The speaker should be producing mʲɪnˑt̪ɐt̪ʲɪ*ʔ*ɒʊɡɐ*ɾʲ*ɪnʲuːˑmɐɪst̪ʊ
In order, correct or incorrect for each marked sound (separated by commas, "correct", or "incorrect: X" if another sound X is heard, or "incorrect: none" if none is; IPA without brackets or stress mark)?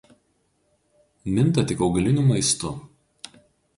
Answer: incorrect: k, incorrect: lʲ